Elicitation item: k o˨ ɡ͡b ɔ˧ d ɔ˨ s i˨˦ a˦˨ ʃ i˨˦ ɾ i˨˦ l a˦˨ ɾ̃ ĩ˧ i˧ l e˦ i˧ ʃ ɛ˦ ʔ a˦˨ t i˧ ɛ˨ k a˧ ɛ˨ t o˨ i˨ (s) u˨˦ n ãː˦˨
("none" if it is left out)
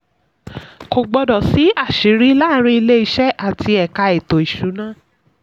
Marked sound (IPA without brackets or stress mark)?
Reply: ʃ